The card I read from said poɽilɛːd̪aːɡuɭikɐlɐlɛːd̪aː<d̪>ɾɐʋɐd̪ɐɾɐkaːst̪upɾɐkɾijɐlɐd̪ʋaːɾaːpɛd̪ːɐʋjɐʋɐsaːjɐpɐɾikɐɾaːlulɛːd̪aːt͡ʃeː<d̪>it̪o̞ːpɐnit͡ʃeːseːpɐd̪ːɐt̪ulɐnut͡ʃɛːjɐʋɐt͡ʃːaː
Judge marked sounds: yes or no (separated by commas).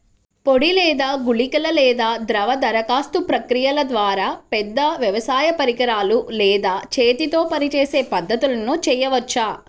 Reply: yes, no